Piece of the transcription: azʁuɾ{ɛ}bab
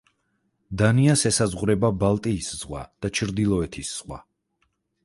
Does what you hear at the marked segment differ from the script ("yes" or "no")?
no